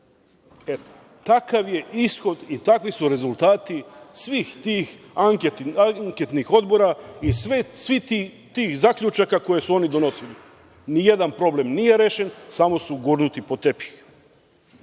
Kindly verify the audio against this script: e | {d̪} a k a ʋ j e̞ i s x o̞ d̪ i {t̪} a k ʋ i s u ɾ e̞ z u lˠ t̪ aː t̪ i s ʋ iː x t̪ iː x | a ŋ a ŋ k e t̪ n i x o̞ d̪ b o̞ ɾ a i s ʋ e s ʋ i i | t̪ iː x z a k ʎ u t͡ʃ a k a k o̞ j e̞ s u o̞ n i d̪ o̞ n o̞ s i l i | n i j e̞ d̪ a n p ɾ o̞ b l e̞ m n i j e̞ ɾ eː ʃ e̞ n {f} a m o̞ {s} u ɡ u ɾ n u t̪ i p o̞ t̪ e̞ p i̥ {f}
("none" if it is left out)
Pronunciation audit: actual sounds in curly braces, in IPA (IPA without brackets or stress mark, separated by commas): t̪, t̪, s, s, x